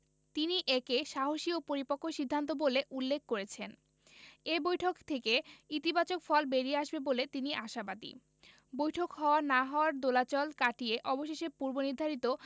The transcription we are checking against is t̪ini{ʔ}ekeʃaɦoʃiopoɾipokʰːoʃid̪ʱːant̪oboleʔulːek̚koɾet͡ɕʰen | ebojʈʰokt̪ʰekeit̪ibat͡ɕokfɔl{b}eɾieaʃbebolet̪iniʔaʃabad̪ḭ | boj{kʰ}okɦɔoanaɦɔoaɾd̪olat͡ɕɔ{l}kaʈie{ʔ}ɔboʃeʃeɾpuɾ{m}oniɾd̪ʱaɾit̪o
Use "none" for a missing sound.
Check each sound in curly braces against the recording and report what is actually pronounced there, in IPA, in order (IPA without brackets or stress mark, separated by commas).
ʔ, b, ʈʰ, l, ʔ, b